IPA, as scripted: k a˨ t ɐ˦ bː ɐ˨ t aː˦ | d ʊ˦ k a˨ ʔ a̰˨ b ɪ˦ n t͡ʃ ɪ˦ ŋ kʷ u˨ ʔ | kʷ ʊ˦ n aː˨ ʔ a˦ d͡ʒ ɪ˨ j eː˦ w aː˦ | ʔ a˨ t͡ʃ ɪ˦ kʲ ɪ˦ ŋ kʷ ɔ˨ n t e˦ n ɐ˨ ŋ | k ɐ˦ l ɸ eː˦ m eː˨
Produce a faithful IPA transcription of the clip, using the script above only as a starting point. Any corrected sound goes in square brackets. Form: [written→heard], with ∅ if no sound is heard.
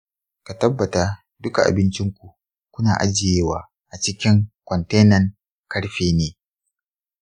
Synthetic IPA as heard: k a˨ t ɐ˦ bː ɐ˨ t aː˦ | d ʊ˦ k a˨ ʔ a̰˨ b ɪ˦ n t͡ʃ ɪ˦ ŋ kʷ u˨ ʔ | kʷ ʊ˦ n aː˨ ʔ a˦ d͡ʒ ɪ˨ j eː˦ w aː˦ | ʔ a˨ t͡ʃ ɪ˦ kʲ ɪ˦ ŋ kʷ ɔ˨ n t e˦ n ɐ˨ ŋ | k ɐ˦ [l→ɽ] ɸ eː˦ [m→n] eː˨